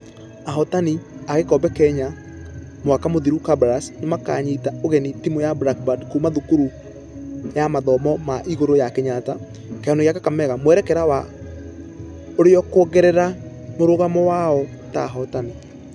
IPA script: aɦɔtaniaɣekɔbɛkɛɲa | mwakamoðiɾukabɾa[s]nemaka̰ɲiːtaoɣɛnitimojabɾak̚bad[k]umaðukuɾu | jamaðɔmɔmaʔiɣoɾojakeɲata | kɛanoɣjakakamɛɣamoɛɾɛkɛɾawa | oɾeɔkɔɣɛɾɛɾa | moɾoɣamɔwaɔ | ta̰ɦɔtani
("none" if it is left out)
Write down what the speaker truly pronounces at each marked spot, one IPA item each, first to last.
s, k

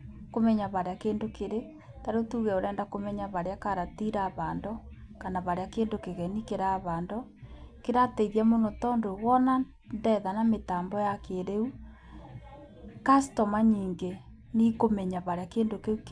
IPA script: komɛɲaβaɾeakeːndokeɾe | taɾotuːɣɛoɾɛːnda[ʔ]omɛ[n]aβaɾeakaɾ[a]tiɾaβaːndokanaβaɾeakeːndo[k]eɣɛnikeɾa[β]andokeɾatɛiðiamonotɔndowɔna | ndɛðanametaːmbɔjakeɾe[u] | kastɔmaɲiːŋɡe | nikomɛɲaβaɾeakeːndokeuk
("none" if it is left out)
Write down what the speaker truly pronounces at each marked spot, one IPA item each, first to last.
k, ɲ, a, k, β, u

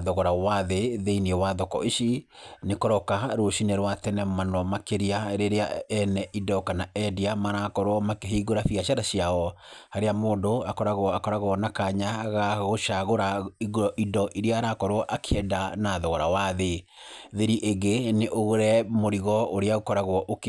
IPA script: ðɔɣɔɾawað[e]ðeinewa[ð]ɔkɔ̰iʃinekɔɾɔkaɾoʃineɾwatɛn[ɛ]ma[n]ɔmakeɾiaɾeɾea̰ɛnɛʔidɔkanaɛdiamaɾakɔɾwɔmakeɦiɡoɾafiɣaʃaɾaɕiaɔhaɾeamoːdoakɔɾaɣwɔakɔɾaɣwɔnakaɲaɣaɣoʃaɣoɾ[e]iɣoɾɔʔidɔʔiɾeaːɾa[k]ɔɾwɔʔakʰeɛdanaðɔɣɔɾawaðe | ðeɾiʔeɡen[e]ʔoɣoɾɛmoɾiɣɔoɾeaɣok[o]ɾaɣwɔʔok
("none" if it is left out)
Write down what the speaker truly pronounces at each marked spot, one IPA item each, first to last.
e, ð, ɛ, n, a, k, e, ɔ

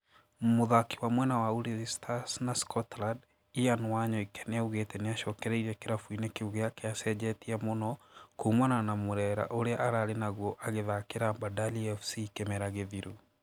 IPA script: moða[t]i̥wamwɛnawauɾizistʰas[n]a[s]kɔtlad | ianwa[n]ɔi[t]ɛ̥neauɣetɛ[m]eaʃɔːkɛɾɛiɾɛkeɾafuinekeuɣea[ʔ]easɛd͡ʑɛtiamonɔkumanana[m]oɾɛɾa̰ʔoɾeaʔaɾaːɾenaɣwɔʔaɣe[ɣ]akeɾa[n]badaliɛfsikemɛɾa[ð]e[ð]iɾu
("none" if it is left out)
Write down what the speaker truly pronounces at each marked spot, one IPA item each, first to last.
k, n, s, ɲ, k, n, k, m, ð, m, ɣ, ð

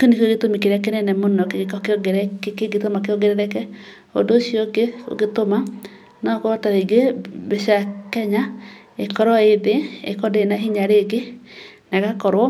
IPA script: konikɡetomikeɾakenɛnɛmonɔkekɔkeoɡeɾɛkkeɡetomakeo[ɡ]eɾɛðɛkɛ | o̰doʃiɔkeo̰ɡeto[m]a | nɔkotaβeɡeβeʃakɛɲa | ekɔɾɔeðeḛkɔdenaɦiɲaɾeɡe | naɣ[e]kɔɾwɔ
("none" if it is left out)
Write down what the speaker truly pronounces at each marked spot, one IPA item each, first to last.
ɡ, m, a

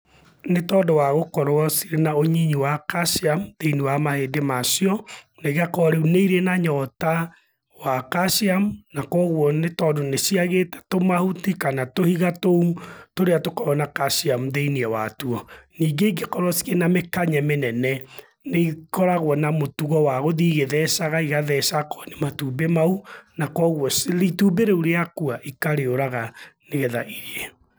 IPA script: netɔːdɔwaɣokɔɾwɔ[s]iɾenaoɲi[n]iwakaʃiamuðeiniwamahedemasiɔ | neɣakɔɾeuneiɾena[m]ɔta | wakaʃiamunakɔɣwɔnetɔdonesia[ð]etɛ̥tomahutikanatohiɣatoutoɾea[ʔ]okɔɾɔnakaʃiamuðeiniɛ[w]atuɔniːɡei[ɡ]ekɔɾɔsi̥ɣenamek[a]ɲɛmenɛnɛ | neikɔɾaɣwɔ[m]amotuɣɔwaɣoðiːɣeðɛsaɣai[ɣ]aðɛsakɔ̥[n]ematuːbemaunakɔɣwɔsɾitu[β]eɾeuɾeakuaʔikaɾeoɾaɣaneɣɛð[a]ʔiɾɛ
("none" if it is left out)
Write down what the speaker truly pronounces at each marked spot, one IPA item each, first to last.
s, ɲ, ɲ, ɣ, t, w, ɡ, a, n, ɣ, n, b, a

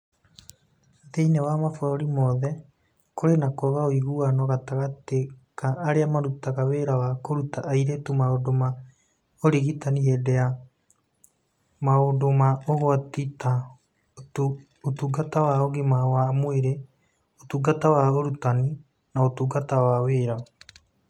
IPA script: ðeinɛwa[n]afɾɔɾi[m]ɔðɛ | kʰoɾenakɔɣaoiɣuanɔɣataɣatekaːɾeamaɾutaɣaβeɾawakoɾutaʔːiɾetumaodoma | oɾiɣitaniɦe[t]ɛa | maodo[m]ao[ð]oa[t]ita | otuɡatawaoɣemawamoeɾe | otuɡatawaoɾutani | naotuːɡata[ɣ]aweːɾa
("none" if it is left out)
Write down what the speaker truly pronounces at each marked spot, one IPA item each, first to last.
m, m, d, m, ɣ, t, w

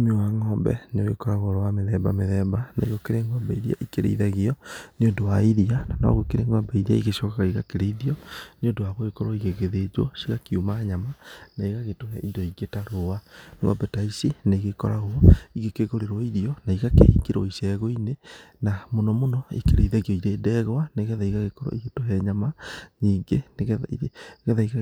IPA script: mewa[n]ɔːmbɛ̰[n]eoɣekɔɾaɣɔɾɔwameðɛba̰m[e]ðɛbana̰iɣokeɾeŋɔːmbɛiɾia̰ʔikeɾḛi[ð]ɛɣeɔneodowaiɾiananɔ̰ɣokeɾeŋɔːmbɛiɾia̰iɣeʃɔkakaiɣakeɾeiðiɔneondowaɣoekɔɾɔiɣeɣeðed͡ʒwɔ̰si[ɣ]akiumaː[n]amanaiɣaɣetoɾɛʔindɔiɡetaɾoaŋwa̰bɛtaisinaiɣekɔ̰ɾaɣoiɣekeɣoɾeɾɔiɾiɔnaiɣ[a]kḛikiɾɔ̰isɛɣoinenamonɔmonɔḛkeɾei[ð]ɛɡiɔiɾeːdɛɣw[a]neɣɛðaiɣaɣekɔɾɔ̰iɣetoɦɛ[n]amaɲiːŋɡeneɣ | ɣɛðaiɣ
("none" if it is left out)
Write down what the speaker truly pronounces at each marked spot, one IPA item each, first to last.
ŋ, n, e, ð, ɣ, ɲ, a, ð, a, ɲ

